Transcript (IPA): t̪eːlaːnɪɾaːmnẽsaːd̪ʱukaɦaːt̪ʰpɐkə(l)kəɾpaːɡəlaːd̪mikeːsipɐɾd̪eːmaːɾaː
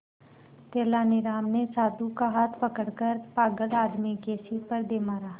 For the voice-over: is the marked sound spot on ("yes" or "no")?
no